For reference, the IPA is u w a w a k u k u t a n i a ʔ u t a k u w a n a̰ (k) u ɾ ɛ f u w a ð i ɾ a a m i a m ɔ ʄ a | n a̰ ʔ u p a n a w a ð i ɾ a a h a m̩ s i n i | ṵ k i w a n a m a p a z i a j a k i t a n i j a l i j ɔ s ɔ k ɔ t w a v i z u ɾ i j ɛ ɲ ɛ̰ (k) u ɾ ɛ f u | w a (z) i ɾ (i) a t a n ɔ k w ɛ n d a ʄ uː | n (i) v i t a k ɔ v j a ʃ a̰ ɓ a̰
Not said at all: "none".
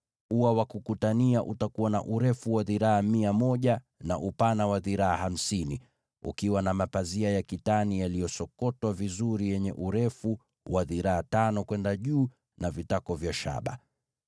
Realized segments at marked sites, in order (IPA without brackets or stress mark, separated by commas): ʔ, ʔ, ð, a, a